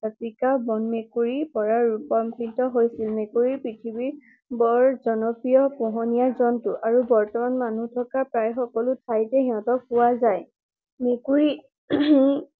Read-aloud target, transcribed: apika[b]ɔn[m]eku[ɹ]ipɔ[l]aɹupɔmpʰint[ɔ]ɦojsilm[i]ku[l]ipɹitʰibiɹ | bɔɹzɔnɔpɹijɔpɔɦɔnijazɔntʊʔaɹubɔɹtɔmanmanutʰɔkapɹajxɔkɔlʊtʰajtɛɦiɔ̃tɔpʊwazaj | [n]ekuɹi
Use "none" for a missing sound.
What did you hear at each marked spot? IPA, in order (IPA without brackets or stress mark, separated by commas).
b, m, ɹ, ɹ, ɔ, e, ɹ, m